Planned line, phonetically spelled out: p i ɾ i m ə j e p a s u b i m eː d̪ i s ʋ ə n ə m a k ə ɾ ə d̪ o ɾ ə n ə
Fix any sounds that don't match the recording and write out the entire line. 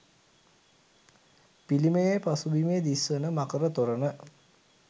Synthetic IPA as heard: p i l i m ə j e p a s u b i m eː d̪ i s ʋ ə n ə m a k ə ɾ ə t̪ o ɾ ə n ə